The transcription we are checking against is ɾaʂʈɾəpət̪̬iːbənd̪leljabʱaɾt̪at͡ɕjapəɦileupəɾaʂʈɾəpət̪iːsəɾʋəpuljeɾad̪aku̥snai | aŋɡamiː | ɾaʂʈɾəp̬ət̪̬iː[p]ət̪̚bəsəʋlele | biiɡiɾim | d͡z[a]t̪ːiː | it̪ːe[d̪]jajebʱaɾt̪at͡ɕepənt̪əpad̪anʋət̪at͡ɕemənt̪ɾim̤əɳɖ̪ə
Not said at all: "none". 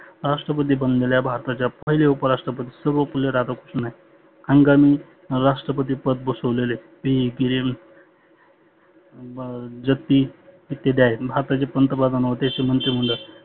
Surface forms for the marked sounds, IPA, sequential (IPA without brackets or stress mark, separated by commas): p, ə, d̪